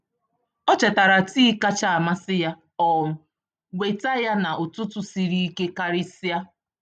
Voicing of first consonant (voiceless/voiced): voiceless